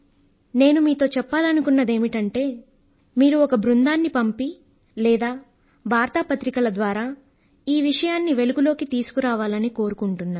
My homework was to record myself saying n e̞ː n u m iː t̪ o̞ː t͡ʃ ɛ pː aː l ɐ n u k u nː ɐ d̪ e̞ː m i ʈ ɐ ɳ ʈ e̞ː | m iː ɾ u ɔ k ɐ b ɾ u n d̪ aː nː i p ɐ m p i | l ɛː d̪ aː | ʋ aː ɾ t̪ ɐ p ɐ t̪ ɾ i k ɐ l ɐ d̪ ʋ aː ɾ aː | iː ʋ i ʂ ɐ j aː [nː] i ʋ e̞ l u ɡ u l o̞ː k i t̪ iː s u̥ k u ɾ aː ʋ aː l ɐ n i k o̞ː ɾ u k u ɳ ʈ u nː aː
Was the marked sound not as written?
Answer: no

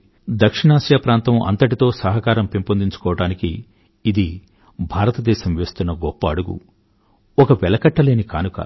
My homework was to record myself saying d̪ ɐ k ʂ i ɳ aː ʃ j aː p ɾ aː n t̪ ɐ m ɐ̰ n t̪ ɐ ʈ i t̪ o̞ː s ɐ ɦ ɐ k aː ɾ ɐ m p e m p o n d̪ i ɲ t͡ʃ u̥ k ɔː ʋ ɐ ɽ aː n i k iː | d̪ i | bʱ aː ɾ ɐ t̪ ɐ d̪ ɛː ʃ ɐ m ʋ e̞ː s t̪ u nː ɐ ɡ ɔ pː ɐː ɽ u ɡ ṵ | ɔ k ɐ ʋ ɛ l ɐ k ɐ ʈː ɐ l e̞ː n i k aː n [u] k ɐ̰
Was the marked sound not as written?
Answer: no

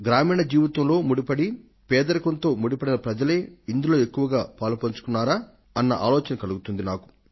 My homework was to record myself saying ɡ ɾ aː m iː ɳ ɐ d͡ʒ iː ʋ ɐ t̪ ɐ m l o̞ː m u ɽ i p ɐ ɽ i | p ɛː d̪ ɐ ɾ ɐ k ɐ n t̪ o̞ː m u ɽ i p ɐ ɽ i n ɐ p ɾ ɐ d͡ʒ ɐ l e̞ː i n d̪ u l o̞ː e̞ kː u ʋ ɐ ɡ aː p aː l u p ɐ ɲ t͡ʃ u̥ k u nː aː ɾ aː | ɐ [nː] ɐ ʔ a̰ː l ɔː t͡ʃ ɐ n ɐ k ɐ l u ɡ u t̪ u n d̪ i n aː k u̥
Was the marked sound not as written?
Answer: no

